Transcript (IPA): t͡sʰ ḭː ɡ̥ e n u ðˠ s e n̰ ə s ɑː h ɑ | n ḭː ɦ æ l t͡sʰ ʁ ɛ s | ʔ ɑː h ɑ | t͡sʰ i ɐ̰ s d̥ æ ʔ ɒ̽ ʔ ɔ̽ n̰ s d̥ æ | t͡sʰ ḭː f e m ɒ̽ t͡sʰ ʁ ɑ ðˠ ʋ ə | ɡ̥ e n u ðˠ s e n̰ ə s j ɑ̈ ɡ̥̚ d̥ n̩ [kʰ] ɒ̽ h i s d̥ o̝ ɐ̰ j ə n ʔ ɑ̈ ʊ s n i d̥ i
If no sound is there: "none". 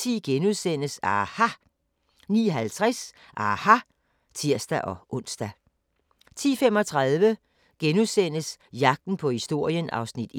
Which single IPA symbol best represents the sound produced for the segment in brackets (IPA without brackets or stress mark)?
pʰ